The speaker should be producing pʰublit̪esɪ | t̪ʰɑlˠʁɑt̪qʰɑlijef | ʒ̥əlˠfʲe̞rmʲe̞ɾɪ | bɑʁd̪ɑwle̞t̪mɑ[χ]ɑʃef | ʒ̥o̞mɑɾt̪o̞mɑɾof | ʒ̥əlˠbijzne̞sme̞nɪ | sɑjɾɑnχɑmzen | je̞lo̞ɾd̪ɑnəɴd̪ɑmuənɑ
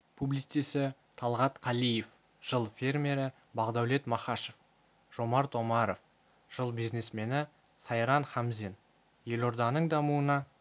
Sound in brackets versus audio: correct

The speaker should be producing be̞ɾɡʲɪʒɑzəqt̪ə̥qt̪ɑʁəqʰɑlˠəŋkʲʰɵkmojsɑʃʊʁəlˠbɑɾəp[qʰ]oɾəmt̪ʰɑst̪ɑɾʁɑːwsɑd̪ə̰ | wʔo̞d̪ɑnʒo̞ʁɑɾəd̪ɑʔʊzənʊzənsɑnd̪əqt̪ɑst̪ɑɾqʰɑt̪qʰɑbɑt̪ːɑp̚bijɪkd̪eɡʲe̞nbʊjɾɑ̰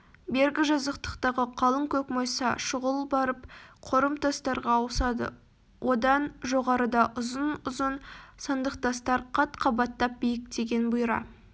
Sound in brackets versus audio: correct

